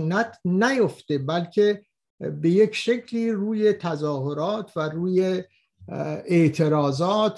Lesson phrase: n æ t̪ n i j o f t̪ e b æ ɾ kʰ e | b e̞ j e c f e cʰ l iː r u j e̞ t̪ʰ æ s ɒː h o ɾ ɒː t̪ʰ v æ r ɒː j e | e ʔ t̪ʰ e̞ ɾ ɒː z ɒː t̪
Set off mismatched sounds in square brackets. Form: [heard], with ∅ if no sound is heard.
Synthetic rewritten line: n æ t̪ n [æ] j o f t̪ e b æ [l] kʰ e | b e̞ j e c [ʃ] e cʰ l iː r [uː] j e̞ t̪ʰ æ [z] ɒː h o ɾ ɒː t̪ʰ v æ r [uː] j e | e ʔ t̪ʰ e̞ ɾ ɒː z ɒː t̪